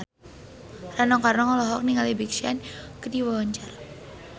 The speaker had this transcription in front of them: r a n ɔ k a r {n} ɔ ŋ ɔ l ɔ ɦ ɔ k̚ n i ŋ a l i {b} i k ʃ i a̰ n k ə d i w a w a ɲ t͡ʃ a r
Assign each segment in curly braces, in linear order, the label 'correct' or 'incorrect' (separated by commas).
correct, correct